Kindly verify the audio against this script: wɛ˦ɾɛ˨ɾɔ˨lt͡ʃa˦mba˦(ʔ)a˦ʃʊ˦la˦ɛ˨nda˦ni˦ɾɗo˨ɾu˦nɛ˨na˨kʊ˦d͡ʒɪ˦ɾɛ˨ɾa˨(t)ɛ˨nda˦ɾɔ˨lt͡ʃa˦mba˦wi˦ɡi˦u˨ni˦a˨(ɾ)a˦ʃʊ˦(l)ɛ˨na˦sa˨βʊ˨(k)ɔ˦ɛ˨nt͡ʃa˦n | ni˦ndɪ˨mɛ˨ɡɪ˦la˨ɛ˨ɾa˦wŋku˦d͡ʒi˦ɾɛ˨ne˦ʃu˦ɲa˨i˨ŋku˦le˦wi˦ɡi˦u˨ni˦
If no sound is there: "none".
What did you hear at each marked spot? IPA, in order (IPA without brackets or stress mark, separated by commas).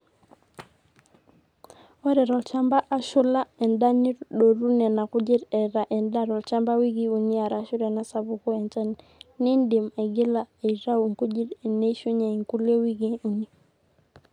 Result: ʔ, ʔ, ɾ, ɾ, k